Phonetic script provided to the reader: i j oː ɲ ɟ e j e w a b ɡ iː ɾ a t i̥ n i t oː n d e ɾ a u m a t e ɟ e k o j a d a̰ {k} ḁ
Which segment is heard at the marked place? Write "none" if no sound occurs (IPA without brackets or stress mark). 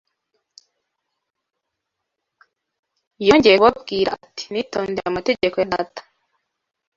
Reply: t